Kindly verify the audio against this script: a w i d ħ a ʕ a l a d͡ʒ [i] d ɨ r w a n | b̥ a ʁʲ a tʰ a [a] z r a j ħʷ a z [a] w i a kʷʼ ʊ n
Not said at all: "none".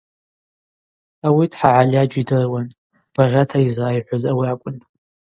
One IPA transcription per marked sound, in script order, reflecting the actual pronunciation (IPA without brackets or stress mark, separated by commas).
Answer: i, i, a